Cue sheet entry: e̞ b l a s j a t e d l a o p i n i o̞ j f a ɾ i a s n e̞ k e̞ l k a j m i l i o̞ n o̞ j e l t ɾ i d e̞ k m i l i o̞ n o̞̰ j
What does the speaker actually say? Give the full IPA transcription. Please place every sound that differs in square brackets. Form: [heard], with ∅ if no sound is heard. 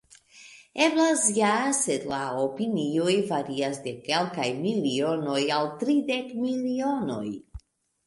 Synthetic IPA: e̞ b l a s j a [s] e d l a o p i n i o̞ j [v] a ɾ i a s [d] e̞ k e̞ l k a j m i l i o̞ n o̞ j [a] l t ɾ i d e̞ k m i l i o̞ n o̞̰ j